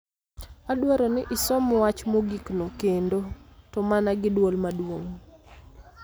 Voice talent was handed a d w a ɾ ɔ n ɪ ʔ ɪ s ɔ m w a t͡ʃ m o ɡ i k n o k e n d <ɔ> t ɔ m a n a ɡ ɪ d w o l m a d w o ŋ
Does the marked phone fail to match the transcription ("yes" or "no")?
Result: yes